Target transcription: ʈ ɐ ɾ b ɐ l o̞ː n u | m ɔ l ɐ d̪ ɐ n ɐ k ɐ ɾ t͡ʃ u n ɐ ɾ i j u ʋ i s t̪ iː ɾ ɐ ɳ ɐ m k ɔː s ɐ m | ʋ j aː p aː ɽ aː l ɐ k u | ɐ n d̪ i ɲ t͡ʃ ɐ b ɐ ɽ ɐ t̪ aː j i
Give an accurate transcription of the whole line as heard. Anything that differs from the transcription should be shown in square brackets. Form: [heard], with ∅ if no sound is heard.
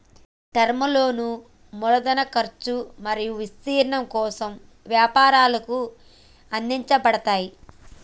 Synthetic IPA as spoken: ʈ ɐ ɾ [m] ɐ l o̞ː n u | m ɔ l ɐ d̪ ɐ n ɐ k ɐ ɾ t͡ʃ u [m] ɐ ɾ i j u ʋ i s t̪ iː ɾ ɐ ɳ ɐ m k ɔː s ɐ m | ʋ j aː p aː [ɾ] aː l ɐ k u | ɐ n d̪ i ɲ t͡ʃ ɐ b ɐ ɽ ɐ t̪ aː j i